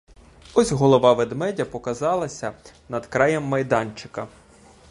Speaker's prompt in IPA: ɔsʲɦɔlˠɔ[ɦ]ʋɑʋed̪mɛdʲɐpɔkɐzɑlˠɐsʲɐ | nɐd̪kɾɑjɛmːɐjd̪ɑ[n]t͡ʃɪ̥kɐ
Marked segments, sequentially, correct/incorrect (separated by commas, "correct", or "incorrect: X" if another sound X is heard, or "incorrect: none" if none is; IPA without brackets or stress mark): incorrect: none, correct